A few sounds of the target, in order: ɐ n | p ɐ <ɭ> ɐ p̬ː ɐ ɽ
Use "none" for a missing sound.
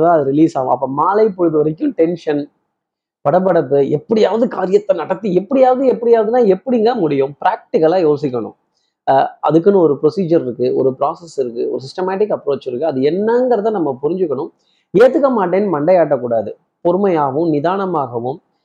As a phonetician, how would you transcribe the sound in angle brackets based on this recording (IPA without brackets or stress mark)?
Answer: ɽ